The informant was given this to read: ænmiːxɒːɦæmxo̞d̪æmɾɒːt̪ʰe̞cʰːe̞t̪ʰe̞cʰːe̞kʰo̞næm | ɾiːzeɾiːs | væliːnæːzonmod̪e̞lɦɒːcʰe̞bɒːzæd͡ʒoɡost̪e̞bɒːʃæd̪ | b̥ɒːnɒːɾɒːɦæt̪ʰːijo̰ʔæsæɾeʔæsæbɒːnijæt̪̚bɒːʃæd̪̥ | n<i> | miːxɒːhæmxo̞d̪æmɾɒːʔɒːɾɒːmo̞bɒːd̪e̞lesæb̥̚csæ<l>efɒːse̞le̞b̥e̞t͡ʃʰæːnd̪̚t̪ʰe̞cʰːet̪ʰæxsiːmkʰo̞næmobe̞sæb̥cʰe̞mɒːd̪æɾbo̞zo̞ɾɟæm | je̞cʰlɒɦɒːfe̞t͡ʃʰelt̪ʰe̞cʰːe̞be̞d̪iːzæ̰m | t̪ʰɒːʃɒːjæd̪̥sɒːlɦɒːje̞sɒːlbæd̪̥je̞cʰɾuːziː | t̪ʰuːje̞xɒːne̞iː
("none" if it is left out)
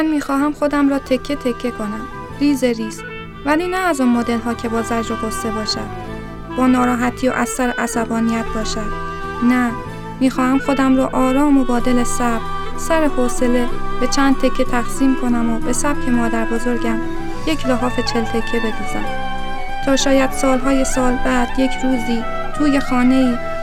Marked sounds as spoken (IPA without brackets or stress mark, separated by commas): æ, ɾ